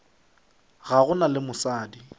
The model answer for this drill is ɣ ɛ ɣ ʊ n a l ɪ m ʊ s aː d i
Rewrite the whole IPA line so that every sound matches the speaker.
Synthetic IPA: ɣ a ɣ ʊ n a l ɪ m ʊ s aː d i

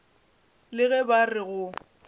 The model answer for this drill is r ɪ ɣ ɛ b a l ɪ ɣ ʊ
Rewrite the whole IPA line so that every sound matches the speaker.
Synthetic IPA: l ɪ ɣ ɛ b a r ɪ ɣ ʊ

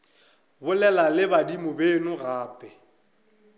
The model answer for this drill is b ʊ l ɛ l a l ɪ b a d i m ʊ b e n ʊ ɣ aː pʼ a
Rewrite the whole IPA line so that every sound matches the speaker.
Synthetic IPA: b ʊ l ɛ l a l ɪ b a d i m ʊ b e n ʊ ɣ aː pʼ ɛ

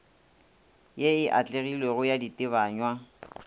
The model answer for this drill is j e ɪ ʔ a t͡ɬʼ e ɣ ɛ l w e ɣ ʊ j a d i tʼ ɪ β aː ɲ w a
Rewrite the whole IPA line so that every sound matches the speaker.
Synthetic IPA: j e ɪ ʔ a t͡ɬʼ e ɣ i l w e ɣ ʊ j a d i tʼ ɪ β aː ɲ w a

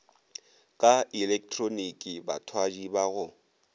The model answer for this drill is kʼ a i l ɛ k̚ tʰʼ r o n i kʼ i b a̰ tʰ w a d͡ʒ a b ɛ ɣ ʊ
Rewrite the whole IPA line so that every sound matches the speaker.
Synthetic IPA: kʼ a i l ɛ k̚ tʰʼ r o n i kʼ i b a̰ tʰ w a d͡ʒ i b a ɣ ʊ

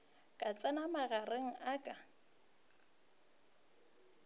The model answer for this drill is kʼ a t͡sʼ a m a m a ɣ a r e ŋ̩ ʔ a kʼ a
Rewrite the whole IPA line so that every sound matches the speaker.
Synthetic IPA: kʼ a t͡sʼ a n a m a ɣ a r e ŋ̩ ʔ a kʼ a

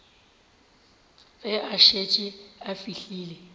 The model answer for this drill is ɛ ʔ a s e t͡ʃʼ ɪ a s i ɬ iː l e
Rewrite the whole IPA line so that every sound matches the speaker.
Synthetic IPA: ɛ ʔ a ʃ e t͡ʃʼ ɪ a f i ɬ iː l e

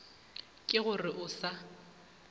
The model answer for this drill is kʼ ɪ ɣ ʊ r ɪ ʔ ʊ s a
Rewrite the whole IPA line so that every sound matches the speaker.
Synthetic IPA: kʼ ɪ ɣ ʊ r ɪ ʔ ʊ s a

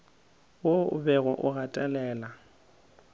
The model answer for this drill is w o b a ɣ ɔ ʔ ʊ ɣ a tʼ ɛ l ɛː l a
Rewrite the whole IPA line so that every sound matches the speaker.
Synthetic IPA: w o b ɛ ɣ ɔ ʔ ʊ ɣ a tʼ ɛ l ɛː l a

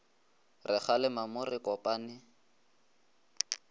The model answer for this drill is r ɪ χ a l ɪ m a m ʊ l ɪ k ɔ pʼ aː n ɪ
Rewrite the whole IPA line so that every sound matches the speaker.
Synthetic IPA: r ɪ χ a l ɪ m a m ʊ r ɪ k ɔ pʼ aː n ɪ

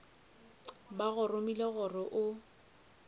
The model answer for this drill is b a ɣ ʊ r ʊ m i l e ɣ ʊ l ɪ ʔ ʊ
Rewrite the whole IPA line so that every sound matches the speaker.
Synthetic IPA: b a ɣ ʊ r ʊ m i l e ɣ ʊ r ɪ ʔ ʊ

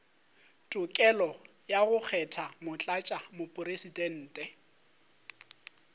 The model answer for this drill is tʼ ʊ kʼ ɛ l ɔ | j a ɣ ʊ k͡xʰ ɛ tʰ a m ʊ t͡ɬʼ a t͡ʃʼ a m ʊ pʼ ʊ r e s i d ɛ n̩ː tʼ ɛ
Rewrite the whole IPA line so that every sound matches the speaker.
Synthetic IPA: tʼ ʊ kʼ ɛ l ɔ | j a ɣ ʊ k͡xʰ ɛ tʰ a m ʊ t͡ɬʼ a t͡ʃʼ a m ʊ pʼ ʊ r e s i d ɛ n̩ː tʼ ɛ

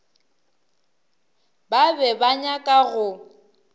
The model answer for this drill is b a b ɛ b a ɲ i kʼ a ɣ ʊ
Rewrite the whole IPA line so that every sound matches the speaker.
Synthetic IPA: b a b ɛ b a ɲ a kʼ a ɣ ʊ

